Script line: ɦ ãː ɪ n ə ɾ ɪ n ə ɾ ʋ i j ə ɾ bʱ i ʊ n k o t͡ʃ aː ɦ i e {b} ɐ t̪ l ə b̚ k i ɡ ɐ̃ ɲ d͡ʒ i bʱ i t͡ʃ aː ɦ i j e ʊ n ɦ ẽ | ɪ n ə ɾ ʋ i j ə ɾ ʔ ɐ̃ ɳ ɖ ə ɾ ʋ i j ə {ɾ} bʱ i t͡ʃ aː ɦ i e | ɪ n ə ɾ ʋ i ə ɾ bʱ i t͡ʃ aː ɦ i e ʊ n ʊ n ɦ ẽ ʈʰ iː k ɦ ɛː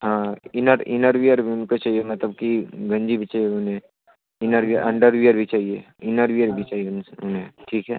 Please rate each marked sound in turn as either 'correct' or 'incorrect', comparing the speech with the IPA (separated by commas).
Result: incorrect, correct